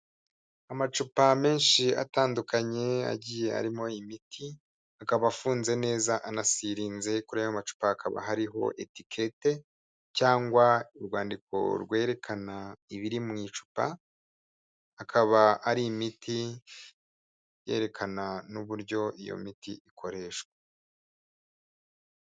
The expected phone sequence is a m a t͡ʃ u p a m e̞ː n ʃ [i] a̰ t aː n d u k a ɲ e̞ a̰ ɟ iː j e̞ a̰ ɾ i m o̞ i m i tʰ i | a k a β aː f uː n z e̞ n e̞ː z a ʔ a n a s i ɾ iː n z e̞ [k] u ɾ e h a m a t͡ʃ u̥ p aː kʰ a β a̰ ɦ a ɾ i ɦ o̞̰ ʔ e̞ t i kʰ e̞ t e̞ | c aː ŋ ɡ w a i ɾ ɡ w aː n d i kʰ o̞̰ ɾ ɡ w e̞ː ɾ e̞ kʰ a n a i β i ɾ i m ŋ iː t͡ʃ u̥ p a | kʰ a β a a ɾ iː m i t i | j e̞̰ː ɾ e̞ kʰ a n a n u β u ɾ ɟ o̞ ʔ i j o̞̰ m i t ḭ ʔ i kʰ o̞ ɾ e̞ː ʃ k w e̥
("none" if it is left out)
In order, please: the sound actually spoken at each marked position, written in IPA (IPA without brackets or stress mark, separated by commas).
i, k